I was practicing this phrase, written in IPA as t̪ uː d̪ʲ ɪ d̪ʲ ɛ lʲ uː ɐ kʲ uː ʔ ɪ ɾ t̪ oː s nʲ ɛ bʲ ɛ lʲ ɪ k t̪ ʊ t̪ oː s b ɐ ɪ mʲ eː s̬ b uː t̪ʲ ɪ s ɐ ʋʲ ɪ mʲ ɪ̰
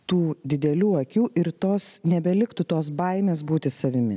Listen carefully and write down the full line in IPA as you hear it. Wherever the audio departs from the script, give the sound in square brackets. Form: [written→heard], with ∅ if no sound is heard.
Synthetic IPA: t̪ uː d̪ʲ ɪ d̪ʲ ɛ lʲ uː ɐ kʲ uː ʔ ɪ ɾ t̪ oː s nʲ ɛ bʲ ɛ lʲ ɪ k t̪ ʊ t̪ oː s b ɐ ɪ mʲ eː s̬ b uː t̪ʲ ɪ s ɐ ʋʲ ɪ mʲ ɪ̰